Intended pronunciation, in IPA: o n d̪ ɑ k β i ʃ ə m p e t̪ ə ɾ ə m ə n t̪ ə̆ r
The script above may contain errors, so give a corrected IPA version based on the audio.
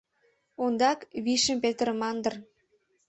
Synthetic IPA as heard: o n d̪ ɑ k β i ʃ ə m p e t̪ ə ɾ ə m ɑ n d̪ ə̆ r